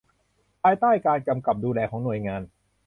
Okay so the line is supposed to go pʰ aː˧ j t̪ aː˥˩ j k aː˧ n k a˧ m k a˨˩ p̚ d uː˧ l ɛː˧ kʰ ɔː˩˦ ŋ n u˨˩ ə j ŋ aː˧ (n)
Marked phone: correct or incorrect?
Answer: correct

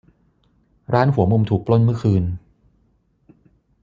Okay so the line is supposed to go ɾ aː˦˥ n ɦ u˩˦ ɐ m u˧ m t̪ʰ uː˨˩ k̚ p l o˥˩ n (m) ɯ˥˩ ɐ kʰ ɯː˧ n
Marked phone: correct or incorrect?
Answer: correct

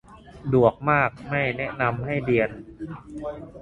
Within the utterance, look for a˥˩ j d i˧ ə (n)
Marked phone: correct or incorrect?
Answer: correct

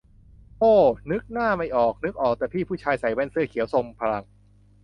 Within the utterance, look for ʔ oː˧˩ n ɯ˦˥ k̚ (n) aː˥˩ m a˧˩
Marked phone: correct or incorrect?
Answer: correct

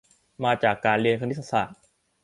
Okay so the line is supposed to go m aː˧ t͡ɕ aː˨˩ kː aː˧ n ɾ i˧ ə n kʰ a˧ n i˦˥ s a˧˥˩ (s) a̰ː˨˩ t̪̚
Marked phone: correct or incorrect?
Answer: correct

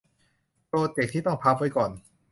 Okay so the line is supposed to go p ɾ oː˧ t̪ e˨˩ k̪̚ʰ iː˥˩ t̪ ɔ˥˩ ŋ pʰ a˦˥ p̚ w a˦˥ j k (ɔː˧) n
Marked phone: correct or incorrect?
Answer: incorrect: ɔː˨˩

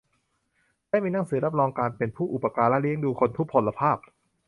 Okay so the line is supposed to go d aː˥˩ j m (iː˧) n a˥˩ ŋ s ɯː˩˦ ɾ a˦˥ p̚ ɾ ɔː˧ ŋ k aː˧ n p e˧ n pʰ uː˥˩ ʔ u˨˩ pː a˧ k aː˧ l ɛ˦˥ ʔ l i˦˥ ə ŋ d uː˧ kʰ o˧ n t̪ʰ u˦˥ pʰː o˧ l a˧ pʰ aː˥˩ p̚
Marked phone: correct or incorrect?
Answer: correct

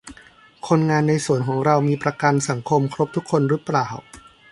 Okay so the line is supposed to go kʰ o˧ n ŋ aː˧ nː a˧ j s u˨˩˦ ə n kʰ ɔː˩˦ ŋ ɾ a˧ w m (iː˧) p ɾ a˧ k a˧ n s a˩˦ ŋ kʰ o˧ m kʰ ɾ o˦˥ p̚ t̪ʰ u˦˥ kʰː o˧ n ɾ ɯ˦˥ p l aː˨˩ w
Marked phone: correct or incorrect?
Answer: correct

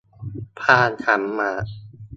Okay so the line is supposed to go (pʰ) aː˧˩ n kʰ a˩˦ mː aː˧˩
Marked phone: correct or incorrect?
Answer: correct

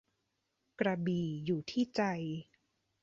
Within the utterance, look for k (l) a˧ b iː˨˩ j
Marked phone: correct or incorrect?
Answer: incorrect: ɾ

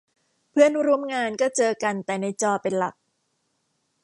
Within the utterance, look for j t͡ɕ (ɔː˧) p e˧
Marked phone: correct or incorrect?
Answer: correct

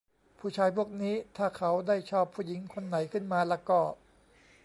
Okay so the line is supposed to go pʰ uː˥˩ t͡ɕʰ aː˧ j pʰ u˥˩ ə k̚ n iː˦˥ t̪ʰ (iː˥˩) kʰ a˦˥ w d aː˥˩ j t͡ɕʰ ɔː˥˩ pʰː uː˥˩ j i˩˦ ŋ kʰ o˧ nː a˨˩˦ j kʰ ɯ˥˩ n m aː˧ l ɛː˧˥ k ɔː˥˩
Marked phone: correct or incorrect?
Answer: incorrect: aː˥˩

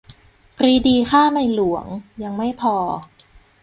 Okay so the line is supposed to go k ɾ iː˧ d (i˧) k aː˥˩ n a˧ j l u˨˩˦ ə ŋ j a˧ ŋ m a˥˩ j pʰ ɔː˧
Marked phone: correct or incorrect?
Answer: incorrect: iː˧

